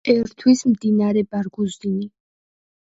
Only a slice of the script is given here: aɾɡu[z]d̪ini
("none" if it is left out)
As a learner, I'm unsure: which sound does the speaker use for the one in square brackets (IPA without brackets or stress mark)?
z